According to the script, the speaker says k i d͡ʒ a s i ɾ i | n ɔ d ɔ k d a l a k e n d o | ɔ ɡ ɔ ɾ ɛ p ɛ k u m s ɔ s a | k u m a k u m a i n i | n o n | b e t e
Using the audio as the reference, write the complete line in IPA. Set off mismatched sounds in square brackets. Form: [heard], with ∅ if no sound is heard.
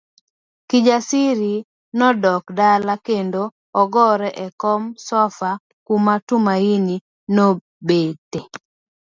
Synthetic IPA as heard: k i d͡ʒ a s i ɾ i | n ɔ d ɔ k d a l a k e n d o | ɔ ɡ ɔ ɾ ɛ [ʔ] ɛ k [ɔ] m s ɔ [f] a | k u m a [t] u m a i n i | n o [∅] | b e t e